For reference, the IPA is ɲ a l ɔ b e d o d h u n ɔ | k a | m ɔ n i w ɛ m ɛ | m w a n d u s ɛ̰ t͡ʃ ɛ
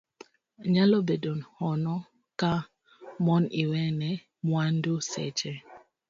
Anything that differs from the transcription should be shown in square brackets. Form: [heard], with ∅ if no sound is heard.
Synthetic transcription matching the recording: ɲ a l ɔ b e d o [n] h [ɔ] n ɔ | k a | m ɔ n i w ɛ [n] ɛ | m w a n d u s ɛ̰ t͡ʃ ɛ